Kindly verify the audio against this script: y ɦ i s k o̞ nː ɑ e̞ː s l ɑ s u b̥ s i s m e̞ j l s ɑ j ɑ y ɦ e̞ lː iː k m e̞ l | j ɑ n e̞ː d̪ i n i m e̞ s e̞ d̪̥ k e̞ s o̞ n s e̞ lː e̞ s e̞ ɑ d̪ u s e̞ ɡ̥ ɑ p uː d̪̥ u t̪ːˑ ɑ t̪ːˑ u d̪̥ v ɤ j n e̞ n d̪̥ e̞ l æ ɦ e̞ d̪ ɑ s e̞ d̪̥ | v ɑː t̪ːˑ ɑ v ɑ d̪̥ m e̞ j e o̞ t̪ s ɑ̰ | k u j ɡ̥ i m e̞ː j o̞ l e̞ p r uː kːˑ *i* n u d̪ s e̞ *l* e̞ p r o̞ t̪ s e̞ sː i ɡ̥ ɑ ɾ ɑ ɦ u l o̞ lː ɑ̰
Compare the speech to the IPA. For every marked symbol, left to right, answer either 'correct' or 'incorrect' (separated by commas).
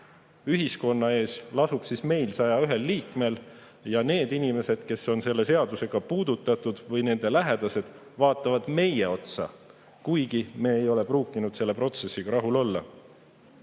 correct, incorrect